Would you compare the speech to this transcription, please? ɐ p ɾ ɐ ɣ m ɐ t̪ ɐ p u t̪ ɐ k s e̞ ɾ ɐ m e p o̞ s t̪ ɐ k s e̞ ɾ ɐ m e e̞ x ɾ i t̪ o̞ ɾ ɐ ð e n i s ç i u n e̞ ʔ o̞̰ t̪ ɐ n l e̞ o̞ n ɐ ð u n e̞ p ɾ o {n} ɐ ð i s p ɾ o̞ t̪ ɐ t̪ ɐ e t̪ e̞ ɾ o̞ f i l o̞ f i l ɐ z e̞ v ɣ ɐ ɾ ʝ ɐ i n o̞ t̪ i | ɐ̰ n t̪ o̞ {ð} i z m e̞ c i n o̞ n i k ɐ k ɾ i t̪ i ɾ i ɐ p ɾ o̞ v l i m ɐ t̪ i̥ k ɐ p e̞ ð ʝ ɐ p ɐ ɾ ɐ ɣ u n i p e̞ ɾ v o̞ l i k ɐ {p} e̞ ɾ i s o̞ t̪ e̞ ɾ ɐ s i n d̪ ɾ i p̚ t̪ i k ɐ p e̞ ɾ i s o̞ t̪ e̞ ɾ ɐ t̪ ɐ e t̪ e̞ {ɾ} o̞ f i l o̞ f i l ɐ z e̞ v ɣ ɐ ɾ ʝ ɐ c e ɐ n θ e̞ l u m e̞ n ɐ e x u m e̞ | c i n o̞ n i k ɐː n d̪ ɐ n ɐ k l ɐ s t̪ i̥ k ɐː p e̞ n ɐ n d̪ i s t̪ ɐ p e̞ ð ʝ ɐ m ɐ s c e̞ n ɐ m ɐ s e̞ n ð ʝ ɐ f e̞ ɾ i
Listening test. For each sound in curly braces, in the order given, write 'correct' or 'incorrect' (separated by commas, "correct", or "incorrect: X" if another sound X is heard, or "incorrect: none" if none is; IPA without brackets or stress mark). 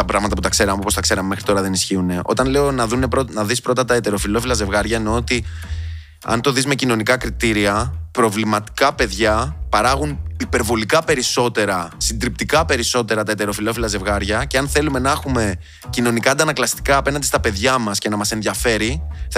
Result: correct, correct, correct, correct